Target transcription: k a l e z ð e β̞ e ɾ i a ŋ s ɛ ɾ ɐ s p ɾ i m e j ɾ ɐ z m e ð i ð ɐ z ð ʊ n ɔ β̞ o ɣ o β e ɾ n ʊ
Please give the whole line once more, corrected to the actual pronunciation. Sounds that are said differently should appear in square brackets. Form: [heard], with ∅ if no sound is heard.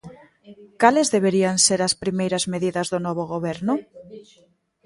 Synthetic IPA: k a l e z ð e β̞ e ɾ i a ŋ s [e] ɾ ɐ s p ɾ i m e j ɾ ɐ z m e ð i ð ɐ z ð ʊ n ɔ β̞ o ɣ o β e ɾ n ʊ